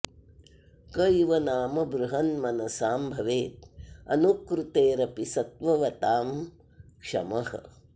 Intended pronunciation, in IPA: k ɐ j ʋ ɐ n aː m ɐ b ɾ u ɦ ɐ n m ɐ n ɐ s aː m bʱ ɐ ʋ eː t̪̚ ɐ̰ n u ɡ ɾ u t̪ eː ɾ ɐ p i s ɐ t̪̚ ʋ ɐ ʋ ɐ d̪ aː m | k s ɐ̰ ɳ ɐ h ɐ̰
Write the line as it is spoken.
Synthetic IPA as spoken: k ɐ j ʋ ɐ n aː m ɐ b ɾ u ɦ ɐ n m ɐ n ɐ s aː m bʱ ɐ ʋ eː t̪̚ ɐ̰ n u k ɾ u t̪ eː ɾ ɐ p i s ɐ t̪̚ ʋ ɐ ʋ ɐ t̪ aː m | k ʂ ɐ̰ m ɐ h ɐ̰